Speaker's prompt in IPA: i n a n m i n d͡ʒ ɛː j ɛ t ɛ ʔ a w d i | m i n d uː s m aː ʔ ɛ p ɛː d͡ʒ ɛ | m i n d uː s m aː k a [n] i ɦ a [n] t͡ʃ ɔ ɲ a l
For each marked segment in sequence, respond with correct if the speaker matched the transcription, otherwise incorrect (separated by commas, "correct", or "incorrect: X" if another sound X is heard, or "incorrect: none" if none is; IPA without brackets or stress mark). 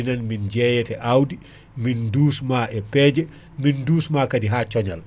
incorrect: d, incorrect: none